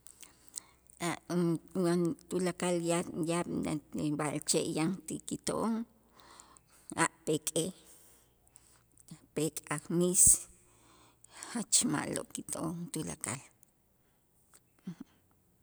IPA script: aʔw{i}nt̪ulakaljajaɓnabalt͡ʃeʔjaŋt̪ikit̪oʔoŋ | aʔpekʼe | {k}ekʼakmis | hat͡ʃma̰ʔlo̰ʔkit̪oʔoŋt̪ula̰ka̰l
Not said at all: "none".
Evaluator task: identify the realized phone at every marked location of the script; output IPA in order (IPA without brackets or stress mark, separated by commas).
a, p